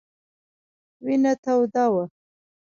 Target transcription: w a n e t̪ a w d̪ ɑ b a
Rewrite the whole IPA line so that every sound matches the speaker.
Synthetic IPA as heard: w i n a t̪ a w d̪ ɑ w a